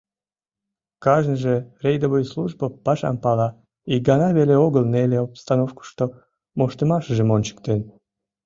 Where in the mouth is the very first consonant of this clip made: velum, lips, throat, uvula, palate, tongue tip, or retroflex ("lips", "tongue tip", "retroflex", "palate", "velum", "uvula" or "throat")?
velum